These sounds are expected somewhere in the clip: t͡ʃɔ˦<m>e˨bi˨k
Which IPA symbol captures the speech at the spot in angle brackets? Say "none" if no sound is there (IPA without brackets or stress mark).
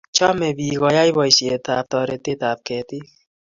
m